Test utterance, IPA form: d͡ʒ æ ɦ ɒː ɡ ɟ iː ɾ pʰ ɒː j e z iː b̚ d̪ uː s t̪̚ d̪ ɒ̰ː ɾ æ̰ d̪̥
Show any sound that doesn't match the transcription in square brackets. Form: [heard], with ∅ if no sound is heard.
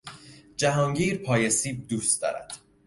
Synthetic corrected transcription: d͡ʒ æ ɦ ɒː [ŋ] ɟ iː ɾ pʰ ɒː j e [s] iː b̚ d̪ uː s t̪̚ d̪ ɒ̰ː ɾ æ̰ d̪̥